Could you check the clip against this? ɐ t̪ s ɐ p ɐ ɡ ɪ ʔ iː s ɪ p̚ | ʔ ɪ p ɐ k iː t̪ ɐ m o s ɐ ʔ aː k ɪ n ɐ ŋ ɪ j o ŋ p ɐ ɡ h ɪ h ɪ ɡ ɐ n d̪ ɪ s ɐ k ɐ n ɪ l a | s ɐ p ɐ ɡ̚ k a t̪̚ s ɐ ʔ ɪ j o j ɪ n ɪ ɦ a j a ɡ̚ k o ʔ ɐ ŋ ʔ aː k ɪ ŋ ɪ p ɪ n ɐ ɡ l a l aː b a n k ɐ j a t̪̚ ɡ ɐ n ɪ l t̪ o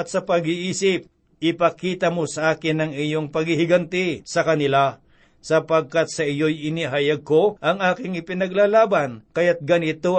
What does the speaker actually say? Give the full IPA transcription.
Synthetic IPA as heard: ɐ t̪ s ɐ p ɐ ɡ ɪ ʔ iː s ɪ p̚ | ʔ ɪ p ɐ k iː t̪ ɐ m o s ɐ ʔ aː k ɪ n ɐ ŋ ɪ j o ŋ p ɐ ɡ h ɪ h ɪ ɡ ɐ n t̪ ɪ s ɐ k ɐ n ɪ l a | s ɐ p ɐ ɡ̚ k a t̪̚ s ɐ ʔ ɪ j o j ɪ n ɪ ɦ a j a ɡ̚ k o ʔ ɐ ŋ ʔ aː k ɪ ŋ ɪ p ɪ n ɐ ɡ l a l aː b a n k ɐ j a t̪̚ ɡ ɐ n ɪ t̪ o